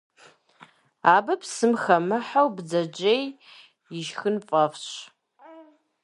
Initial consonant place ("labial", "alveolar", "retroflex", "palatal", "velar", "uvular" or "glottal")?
labial